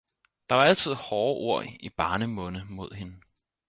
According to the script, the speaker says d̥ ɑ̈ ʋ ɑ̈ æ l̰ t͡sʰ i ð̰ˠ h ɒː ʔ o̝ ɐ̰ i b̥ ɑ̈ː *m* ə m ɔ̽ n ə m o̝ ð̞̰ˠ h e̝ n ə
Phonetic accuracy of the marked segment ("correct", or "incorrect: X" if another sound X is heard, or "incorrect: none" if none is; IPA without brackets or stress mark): incorrect: n